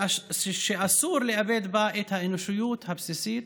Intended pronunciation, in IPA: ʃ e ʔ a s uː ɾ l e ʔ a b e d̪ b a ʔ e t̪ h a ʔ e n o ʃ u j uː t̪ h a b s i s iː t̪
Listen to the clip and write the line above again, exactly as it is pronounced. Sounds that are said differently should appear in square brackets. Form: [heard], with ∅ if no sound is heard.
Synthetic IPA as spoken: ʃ e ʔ a s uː ɾ l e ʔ a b e d̪ b a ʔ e t̪ h a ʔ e n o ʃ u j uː t̪ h a b s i s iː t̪